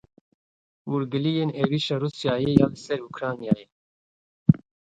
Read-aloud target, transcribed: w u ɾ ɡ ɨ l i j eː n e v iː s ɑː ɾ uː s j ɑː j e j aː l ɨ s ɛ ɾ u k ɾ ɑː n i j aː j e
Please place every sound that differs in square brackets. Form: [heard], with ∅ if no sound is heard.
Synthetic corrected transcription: w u ɾ ɡ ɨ l i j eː n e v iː [ʃ] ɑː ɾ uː s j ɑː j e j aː l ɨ s ɛ ɾ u k ɾ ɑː n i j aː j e